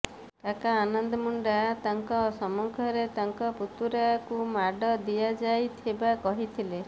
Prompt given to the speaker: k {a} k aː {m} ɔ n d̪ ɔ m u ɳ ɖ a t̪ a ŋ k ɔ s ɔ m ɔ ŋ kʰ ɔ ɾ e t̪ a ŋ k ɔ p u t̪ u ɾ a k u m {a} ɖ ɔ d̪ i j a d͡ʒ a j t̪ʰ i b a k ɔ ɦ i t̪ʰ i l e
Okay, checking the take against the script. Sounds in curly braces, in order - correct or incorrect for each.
correct, incorrect: n, correct

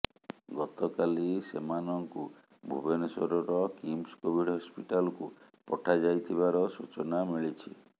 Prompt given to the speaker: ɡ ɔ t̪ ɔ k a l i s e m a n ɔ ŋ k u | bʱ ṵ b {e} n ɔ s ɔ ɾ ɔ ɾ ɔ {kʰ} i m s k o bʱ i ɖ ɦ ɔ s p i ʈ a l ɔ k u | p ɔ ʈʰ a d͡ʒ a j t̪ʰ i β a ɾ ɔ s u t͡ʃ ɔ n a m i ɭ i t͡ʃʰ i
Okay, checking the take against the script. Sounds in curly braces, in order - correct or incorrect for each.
correct, incorrect: k

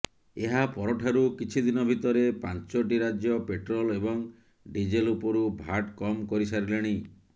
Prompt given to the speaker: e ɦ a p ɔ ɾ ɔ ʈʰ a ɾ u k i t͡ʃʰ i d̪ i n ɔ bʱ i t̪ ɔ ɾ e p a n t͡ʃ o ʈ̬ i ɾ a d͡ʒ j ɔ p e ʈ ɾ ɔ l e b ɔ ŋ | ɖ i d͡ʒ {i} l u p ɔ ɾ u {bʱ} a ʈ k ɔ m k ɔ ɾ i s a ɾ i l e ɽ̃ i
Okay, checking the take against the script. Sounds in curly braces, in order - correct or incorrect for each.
incorrect: e, correct

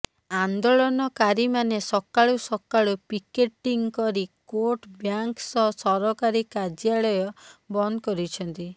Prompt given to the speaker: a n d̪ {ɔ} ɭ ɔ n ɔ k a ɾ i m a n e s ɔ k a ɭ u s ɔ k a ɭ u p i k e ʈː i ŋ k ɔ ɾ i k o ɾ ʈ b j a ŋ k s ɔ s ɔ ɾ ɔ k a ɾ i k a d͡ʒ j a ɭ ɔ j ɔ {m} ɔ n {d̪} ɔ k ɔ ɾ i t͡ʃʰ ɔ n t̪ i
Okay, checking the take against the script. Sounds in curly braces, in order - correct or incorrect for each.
incorrect: o, incorrect: b, correct

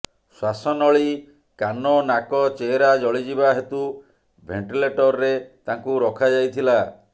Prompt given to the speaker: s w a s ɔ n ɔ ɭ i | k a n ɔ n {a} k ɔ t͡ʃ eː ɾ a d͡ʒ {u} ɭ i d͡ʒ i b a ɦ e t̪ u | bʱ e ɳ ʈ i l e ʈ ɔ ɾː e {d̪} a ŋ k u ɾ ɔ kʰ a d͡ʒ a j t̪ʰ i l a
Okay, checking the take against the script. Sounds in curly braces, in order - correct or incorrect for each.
correct, incorrect: ɔ, incorrect: t̪

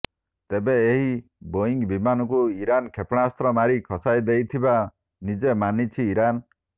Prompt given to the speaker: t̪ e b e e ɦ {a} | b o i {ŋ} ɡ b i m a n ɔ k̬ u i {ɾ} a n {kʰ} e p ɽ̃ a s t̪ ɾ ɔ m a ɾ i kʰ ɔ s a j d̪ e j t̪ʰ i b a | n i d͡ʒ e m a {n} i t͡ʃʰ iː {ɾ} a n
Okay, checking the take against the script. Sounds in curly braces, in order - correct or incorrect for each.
incorrect: i, correct, correct, correct, correct, correct

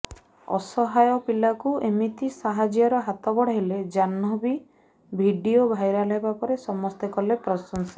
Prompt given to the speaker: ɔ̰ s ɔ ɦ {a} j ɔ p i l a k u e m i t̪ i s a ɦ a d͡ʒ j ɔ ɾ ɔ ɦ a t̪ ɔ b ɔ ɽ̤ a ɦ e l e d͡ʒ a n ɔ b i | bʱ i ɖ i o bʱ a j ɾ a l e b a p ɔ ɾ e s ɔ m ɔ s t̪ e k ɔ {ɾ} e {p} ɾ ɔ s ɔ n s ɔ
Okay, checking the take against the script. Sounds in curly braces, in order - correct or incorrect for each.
correct, incorrect: l, correct

